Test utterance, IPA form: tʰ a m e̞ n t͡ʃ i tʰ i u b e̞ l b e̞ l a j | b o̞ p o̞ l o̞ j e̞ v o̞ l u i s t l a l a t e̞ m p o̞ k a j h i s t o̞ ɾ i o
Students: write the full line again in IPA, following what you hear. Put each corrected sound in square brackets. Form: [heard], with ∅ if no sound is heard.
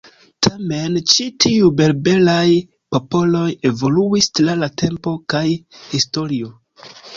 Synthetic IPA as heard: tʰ a m e̞ n t͡ʃ i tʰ i u b e̞ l b e̞ l a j | [p] o̞ p o̞ l o̞ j e̞ v o̞ l u i s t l a l a t e̞ m p o̞ k a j h i s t o̞ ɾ i o